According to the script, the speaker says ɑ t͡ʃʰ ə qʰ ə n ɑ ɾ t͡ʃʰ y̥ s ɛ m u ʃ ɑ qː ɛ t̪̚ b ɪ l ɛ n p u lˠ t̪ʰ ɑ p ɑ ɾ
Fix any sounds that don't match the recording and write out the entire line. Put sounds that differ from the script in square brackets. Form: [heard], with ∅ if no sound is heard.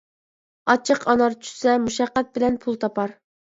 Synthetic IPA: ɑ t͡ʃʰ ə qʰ [ɑ] n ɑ ɾ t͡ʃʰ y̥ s ɛ m u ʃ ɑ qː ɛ t̪̚ b ɪ l ɛ n [pʰ] u lˠ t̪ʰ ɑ p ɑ ɾ